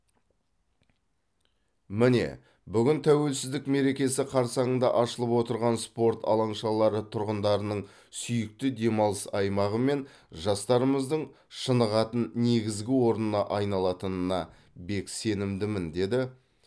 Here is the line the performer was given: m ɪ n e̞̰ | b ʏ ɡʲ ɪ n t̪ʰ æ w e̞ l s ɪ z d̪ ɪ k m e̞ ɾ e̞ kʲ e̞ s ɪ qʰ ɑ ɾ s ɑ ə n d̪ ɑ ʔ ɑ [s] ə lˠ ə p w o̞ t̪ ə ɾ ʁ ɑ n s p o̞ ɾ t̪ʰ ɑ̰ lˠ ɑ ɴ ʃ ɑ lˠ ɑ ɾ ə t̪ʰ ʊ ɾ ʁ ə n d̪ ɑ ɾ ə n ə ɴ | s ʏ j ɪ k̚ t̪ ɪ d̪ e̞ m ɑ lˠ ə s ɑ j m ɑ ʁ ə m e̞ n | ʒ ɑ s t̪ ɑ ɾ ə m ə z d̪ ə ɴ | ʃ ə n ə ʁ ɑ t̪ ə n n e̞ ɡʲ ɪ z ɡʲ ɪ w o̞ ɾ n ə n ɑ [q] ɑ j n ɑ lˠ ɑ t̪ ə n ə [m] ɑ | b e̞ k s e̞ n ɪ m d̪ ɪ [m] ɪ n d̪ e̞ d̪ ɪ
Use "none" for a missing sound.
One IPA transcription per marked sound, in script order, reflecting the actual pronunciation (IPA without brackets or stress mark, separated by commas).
ʃ, ʔ, n, m